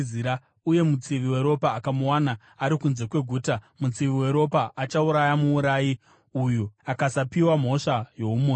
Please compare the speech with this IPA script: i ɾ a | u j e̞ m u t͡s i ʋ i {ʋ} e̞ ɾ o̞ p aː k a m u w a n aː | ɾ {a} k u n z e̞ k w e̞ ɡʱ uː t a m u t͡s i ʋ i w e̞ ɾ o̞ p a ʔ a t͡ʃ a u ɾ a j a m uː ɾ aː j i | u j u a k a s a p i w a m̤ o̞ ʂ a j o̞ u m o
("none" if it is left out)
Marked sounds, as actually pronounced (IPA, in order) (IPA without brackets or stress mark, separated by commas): w, i